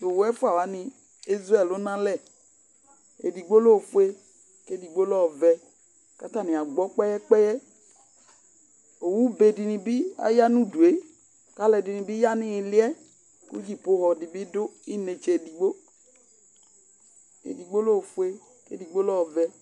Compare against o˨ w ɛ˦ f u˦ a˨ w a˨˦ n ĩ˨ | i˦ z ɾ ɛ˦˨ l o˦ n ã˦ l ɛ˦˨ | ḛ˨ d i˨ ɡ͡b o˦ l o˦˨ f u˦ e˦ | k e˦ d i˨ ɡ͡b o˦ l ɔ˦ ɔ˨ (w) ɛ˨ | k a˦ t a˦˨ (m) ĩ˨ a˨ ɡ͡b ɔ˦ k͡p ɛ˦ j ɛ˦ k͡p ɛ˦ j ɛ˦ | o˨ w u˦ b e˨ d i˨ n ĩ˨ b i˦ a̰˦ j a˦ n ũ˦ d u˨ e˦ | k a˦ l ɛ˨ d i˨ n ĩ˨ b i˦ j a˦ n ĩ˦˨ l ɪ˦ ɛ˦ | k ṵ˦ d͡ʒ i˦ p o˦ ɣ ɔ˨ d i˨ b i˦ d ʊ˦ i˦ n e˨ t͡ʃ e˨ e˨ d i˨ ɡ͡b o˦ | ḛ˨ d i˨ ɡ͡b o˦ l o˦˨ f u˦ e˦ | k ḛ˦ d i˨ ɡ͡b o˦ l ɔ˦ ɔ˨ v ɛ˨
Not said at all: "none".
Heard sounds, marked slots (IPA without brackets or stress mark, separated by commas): v, n